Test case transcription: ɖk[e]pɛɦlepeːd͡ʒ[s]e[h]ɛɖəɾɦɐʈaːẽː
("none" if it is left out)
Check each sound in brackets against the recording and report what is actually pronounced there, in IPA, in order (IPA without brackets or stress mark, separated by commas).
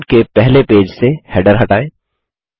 e, s, h